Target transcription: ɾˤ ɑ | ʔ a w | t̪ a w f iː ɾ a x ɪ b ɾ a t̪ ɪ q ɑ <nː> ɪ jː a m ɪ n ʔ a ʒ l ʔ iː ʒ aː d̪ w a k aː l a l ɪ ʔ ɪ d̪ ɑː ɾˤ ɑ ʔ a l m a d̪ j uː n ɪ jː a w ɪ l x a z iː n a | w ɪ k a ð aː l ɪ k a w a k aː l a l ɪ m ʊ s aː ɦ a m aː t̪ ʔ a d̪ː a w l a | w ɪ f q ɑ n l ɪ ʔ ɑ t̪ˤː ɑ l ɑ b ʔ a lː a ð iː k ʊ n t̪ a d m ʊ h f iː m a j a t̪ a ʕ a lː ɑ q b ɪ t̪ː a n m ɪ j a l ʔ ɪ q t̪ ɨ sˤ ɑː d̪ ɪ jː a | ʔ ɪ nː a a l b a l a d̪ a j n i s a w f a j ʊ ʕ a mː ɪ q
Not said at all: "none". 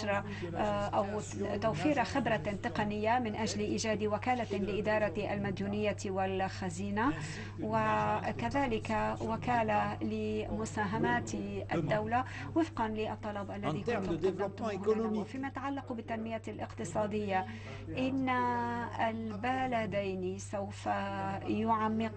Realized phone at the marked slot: n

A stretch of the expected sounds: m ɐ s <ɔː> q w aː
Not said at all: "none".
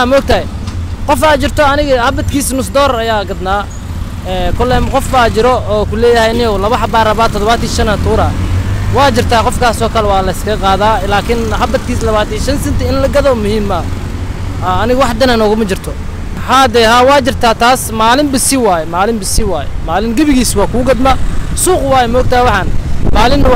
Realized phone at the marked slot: uː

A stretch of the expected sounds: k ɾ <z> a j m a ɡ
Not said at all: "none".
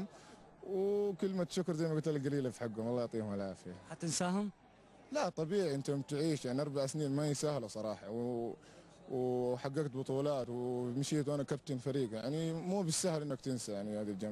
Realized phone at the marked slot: z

